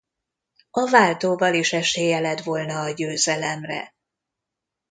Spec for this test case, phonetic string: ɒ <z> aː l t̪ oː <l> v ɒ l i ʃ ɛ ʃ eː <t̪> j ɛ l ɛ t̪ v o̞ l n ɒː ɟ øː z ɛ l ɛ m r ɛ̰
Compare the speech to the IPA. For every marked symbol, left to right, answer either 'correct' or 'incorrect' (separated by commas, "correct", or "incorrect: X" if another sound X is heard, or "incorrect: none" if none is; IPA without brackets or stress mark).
incorrect: v, incorrect: none, incorrect: none